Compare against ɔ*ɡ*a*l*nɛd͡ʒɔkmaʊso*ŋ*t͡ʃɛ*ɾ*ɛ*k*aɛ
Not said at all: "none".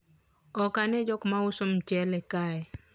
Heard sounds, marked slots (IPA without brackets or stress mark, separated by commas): k, none, m, l, k